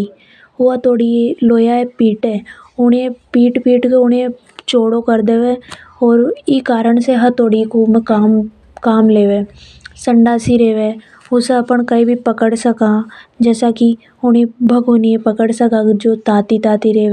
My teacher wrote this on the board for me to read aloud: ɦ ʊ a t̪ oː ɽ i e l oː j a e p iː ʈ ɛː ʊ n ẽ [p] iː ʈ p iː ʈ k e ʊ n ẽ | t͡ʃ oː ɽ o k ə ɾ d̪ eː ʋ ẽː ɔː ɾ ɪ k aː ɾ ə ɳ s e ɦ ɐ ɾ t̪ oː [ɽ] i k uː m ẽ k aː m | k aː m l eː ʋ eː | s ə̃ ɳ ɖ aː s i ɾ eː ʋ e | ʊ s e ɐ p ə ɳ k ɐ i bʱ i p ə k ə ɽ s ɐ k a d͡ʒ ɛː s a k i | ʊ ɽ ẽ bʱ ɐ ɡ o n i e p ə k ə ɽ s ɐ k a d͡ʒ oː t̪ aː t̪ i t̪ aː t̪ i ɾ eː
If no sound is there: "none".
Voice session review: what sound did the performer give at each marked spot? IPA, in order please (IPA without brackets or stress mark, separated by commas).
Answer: p, ɽ